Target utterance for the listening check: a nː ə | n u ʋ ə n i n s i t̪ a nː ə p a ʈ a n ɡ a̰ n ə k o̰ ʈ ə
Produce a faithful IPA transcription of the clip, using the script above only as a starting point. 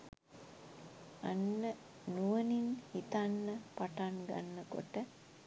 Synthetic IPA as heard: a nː ə | n u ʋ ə n i n h i t̪ a nː ə p a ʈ a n ɡ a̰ nː ə k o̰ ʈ ə